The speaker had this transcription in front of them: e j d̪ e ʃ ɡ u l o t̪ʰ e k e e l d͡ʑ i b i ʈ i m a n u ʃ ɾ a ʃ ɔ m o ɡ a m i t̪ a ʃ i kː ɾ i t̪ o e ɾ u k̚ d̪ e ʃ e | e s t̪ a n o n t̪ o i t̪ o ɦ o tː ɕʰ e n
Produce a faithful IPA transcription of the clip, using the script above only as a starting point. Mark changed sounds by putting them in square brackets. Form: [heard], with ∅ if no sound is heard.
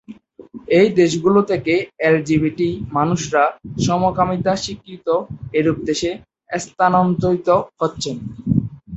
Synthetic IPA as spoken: e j d̪ e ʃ ɡ u l o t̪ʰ e k e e l d͡ʑ i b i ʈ i m a n u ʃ ɾ a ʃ ɔ m o [k] a m i t̪ a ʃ i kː ɾ i t̪ o e ɾ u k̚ d̪ e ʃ e | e s t̪ a n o n t̪ o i t̪ o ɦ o tː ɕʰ e n